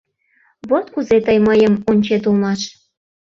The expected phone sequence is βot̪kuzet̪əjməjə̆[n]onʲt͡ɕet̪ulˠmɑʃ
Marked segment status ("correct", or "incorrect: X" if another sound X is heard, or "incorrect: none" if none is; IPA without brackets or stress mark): incorrect: m